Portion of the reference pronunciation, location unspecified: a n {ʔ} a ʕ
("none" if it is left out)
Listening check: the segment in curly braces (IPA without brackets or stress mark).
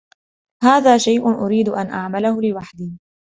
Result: ʔ